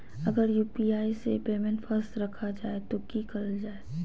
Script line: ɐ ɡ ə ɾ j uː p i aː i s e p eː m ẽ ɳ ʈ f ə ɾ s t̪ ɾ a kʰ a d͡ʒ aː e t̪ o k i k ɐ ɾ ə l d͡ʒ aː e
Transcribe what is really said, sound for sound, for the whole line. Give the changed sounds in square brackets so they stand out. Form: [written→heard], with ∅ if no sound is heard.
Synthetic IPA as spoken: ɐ ɡ ə ɾ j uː p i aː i s e p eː m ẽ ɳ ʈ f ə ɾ s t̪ ɾ [a→ɐ] kʰ a d͡ʒ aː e t̪ o k i k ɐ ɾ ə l d͡ʒ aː e